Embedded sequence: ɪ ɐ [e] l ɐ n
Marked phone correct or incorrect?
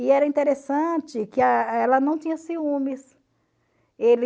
incorrect